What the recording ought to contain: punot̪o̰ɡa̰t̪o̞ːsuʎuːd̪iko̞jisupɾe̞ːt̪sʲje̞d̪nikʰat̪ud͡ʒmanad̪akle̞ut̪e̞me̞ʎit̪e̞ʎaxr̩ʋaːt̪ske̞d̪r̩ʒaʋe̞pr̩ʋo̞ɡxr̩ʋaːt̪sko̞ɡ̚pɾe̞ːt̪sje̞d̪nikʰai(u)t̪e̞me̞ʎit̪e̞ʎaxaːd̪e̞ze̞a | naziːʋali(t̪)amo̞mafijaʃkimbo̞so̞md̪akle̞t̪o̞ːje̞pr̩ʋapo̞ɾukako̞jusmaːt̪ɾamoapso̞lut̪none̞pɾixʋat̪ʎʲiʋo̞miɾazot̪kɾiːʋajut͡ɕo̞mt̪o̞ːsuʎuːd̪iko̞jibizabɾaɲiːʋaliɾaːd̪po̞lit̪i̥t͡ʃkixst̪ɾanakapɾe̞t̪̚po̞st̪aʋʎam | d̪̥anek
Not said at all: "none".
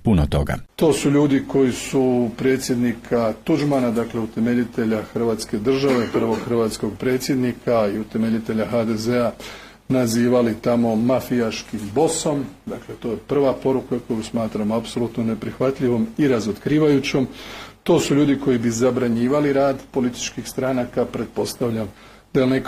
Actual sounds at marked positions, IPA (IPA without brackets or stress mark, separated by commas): u, t̪